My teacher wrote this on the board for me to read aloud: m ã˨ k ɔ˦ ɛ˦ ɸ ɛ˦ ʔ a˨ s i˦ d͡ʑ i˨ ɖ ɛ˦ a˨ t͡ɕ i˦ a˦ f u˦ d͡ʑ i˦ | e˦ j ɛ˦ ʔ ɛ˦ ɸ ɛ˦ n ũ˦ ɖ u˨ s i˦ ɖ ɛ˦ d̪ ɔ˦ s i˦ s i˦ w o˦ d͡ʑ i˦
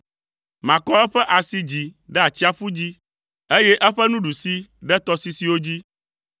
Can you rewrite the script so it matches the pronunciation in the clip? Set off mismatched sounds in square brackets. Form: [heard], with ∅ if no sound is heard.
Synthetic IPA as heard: m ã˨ k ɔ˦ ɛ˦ ɸ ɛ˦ ʔ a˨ s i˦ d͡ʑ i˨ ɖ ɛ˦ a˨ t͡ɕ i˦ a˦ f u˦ d͡ʑ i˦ | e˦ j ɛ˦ ʔ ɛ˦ ɸ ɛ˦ n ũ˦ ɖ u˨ s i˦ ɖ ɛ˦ [t̪] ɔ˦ s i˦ s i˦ w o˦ d͡ʑ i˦